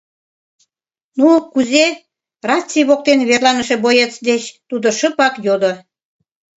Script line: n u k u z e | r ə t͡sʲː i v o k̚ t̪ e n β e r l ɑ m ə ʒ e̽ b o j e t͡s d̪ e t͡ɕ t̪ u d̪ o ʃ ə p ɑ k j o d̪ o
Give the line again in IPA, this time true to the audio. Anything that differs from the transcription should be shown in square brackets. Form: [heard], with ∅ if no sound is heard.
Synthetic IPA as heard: n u k u z e | r [ɑ] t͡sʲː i [β] o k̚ t̪ e n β e r l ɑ [n] ə [ʃ] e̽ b o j e t͡s d̪ e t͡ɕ t̪ u d̪ o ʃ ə p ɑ k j o d̪ o